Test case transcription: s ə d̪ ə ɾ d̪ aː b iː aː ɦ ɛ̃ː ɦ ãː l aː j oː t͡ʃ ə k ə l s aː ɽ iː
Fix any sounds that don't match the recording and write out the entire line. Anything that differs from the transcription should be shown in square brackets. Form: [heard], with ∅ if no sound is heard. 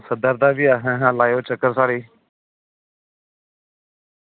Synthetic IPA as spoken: s ə d̪ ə ɾ d̪ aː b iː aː ɦ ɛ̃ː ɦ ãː l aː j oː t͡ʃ ə k ə [ɾ] s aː ɽ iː